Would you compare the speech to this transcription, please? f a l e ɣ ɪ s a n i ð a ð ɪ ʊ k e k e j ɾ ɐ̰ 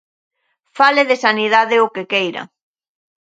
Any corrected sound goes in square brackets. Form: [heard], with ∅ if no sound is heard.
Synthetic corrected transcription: f a l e [ð] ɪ s a n i ð a ð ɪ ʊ k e k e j ɾ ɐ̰